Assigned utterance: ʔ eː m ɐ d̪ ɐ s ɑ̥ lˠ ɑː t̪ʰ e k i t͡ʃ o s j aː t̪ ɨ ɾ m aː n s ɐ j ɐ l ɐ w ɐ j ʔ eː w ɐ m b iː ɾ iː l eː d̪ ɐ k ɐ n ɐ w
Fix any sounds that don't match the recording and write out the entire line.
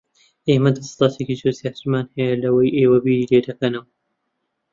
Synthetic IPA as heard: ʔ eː m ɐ d̪ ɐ s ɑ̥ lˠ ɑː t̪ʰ e k i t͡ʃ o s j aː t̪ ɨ ɾ m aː n h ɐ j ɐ l ɐ w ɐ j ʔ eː w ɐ b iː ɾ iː l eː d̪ ɐ k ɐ n ɐ w